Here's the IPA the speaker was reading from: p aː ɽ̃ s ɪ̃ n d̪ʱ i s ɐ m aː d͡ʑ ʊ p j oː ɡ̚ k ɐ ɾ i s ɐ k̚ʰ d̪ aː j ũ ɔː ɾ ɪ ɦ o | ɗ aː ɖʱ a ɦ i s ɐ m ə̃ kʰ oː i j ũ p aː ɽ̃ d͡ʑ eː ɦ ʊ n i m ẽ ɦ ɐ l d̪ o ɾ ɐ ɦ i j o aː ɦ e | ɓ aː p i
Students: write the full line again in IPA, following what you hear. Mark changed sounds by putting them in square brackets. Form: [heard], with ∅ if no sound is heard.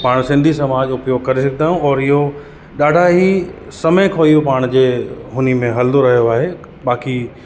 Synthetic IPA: p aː ɽ̃ s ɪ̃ n d̪ʱ i s ɐ m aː d͡ʑ ʊ p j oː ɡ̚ k ɐ ɾ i s ɐ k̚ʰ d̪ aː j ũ ɔː ɾ ɪ ɦ o | ɗ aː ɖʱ a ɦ i s ɐ m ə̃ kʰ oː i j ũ p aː ɽ̃ d͡ʑ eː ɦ ʊ n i m ẽ ɦ ɐ l d̪ o ɾ ɐ ɦ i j o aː ɦ e | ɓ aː [k] i